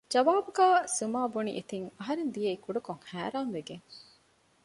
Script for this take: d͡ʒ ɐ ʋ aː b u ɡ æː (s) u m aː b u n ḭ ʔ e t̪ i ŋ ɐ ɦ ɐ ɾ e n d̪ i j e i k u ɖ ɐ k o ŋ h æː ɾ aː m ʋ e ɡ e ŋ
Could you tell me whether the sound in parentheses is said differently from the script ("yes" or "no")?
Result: no